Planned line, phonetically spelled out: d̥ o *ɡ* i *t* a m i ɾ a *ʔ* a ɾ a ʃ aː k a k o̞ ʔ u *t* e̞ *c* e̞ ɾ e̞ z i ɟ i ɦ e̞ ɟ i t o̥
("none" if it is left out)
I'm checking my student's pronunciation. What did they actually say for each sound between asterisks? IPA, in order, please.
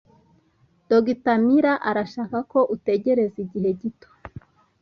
ɡ, t, ʔ, t, ɟ

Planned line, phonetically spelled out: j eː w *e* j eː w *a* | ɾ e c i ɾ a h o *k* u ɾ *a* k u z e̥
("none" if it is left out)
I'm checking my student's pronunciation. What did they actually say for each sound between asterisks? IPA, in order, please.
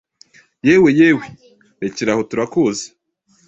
e, e, t, a

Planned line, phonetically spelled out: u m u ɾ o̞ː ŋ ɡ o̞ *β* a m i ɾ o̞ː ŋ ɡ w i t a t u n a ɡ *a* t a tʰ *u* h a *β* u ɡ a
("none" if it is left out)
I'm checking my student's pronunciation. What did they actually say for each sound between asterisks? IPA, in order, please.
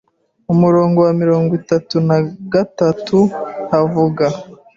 w, a, u, v

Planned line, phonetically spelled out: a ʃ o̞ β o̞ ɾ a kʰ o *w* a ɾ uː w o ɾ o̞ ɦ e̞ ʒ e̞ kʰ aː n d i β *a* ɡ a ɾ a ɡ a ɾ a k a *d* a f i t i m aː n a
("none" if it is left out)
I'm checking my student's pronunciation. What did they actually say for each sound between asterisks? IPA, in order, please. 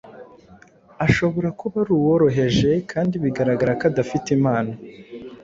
β, i, d

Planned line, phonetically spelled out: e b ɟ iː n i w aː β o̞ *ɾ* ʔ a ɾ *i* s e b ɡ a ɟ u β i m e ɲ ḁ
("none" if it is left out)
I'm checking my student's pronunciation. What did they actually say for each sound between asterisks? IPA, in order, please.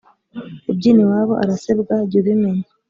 none, a

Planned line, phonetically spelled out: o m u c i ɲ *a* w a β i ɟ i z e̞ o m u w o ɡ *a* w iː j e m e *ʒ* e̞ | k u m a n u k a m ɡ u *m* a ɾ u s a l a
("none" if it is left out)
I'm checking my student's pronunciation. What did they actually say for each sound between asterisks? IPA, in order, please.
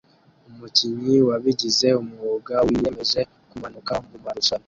i, a, z, m

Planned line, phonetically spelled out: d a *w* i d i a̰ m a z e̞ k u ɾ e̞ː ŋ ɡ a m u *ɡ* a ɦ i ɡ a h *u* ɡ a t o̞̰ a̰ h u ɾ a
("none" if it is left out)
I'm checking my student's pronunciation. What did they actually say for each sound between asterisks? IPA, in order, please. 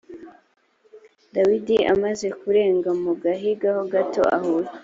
w, ɡ, o

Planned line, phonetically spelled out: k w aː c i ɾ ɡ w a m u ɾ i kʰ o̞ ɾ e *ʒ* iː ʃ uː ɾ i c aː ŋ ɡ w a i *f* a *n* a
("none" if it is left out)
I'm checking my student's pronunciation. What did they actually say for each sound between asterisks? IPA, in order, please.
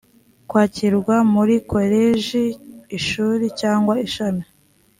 ʒ, ʃ, n

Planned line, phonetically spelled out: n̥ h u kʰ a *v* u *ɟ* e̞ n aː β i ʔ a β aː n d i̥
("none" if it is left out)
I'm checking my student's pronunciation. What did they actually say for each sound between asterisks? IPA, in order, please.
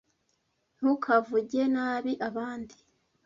v, ɟ

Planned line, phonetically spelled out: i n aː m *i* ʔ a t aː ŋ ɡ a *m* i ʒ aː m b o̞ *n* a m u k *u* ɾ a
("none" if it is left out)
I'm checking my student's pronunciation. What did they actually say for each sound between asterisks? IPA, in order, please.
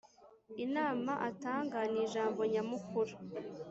a, n, ɲ, u

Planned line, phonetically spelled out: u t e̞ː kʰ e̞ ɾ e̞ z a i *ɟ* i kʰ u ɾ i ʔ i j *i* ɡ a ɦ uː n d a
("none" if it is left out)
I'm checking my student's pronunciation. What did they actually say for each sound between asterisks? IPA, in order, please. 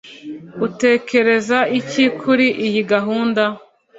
c, i

